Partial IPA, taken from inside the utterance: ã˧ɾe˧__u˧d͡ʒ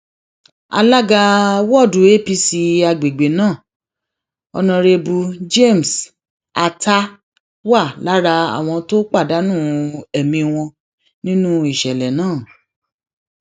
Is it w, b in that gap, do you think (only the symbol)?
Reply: b